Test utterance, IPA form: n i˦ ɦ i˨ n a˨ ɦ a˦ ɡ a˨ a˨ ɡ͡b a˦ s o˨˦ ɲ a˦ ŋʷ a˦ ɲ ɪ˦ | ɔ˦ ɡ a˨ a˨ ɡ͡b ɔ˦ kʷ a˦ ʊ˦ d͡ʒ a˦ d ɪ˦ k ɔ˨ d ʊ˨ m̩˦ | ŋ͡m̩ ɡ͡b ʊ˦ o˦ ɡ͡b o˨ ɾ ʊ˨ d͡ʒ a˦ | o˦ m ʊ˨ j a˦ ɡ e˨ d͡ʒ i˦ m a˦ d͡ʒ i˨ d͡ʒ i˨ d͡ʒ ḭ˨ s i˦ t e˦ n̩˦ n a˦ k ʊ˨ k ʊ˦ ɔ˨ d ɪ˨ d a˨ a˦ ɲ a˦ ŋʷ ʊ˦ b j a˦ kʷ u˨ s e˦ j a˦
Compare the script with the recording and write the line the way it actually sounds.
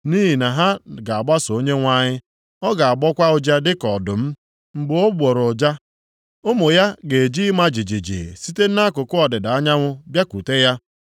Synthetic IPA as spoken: n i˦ ɦ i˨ n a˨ ɦ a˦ ɡ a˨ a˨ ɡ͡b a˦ s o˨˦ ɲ e˦ ŋʷ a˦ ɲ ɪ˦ | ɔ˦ ɡ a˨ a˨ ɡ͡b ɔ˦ kʷ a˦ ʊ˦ d͡ʒ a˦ d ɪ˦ k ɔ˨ d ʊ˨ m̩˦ | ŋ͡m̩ ɡ͡b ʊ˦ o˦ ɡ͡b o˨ ɾ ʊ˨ d͡ʒ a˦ | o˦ m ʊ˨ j a˦ ɡ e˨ d͡ʒ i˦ m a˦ d͡ʒ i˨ d͡ʒ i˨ d͡ʒ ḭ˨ s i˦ t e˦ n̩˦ n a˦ k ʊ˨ k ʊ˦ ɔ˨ d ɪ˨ d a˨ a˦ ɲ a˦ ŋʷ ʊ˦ b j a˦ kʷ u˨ t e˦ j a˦

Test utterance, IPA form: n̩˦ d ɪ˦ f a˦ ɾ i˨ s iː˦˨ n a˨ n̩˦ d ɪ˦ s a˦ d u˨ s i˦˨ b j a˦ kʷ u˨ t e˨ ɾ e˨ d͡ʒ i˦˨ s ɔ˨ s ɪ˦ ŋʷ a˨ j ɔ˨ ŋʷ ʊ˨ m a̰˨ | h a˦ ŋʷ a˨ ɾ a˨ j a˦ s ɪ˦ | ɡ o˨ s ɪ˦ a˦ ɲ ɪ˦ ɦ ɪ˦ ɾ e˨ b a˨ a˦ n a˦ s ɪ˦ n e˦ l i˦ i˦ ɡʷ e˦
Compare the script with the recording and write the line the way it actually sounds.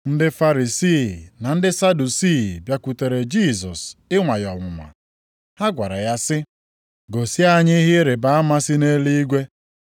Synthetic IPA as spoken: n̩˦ d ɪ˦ f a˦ ɾ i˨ s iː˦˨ n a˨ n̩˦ d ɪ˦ s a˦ d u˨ s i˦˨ b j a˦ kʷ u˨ t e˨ ɾ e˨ d͡ʒ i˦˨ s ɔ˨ s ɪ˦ ŋʷ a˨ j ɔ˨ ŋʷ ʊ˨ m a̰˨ | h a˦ ɡʷ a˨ ɾ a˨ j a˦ s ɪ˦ | ɡ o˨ s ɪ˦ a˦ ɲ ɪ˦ ɦ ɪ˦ ɾ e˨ b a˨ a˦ m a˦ s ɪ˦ n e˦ l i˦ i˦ ɡʷ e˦

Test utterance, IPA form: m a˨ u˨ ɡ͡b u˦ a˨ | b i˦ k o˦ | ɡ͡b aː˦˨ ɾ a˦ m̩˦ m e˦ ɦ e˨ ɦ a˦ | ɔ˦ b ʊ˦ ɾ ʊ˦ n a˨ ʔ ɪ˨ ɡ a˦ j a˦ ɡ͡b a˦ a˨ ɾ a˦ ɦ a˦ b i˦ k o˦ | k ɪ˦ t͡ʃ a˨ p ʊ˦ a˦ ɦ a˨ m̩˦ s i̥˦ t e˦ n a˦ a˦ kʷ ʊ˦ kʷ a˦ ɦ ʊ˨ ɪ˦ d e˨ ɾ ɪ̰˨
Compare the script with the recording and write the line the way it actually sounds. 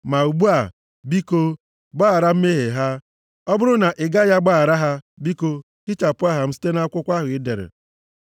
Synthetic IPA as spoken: m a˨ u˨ ɡ͡b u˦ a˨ | b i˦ k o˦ | ɡ͡b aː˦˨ ɾ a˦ m̩˦ m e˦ ɦ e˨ ɦ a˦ | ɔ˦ b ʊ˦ ɾ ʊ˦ n a˨ ʔ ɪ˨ ɡ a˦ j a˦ ɡ͡b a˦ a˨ ɾ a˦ ɦ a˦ b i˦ k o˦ | k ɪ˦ t͡ʃ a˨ p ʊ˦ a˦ ɦ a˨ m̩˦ s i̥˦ t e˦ n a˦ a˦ kʷ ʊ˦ kʷ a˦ ɦ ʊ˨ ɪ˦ d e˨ ɾ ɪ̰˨

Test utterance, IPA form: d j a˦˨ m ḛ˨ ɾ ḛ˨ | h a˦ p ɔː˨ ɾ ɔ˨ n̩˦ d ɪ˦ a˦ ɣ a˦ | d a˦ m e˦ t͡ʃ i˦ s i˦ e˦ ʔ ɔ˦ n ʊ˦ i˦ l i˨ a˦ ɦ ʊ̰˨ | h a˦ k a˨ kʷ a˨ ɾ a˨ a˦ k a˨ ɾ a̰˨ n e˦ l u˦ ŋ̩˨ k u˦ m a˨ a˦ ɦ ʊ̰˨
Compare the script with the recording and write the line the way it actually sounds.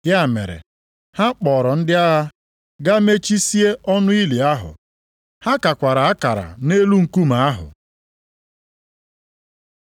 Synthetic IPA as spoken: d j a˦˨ m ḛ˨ ɾ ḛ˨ | h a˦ k͡p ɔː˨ ɾ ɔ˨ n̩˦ d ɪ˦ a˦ ɣ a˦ | ɡ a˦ m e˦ t͡ʃ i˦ s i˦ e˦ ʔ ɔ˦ n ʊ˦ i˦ l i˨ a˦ ɦ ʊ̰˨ | h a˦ k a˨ kʷ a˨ ɾ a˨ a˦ k a˨ ɾ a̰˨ n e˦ l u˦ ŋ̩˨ k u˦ m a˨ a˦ ɦ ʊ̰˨

